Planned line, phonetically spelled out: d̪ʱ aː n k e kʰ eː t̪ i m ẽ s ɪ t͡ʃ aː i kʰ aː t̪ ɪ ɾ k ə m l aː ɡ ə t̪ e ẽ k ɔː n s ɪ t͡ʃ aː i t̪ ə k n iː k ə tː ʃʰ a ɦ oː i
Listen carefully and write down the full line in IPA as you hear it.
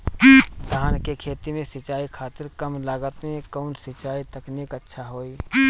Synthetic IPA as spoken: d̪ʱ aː n k e kʰ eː t̪ i m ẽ s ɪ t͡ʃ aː i kʰ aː t̪ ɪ ɾ k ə m l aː ɡ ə t̪ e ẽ k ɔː n s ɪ t͡ʃ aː i t̪ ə k n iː k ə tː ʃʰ a ɦ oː i